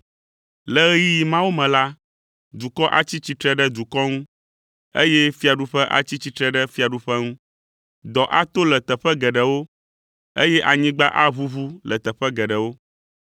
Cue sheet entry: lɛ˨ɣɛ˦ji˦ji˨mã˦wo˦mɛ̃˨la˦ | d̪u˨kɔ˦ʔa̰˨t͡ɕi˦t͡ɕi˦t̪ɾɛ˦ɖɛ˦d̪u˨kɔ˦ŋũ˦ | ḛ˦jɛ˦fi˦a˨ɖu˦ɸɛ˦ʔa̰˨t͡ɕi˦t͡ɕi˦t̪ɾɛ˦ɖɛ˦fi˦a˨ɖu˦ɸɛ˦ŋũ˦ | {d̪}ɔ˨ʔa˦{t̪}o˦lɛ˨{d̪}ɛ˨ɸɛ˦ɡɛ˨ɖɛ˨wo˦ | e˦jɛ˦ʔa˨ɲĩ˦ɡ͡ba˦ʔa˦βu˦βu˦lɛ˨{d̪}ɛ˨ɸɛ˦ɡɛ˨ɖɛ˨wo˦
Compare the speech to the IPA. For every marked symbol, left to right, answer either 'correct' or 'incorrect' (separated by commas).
correct, correct, incorrect, incorrect